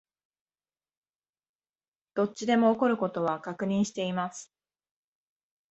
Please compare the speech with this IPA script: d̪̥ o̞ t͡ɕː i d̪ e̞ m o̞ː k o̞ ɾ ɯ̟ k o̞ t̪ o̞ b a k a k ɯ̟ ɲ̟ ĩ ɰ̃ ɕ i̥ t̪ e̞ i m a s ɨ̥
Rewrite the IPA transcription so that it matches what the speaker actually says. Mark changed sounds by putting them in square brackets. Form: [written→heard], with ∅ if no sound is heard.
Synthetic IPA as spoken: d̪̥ o̞ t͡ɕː i d̪ e̞ m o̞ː k o̞ ɾ ɯ̟ k o̞ t̪ o̞ [b→β] a k a k ɯ̟ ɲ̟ ĩ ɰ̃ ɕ i̥ t̪ e̞ i m a s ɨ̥